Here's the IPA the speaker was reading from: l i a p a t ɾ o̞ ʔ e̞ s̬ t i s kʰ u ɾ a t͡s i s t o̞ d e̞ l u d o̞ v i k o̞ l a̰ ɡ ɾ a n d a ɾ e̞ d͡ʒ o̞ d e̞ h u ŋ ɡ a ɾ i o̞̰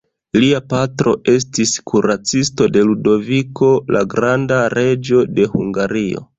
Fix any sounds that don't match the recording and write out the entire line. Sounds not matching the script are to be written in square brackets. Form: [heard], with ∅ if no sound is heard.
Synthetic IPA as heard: l i a p a t ɾ o̞ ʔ e̞ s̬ t i s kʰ u ɾ a t͡s i s t o̞ d e̞ l u d o̞ v i k o̞ l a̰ ɡ ɾ a n d a ɾ e̞ d͡ʒ o̞ d e̞ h u ŋ ɡ a ɾ i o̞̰